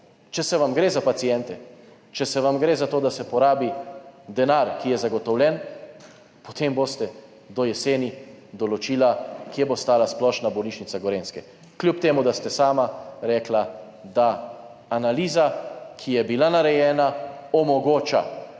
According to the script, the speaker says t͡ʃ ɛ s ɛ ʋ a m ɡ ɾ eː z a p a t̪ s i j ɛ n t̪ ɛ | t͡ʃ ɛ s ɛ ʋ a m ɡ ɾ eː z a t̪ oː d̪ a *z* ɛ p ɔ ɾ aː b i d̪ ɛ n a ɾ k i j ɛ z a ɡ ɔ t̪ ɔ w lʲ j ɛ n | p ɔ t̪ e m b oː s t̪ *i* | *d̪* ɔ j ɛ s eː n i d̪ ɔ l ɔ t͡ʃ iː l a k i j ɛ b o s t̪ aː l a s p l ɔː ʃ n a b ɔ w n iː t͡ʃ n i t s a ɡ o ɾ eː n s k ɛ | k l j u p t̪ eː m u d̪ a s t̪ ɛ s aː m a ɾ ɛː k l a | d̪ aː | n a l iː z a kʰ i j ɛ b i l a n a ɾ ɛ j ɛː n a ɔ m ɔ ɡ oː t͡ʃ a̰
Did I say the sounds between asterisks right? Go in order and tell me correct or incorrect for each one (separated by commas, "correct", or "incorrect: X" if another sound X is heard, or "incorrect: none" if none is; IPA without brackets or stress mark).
incorrect: s, incorrect: ɛ, correct